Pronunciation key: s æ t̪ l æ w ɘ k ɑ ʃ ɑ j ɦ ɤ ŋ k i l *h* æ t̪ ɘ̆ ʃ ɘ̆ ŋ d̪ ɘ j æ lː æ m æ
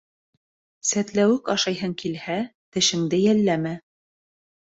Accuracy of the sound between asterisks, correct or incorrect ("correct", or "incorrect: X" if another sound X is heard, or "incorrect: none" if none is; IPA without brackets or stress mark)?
correct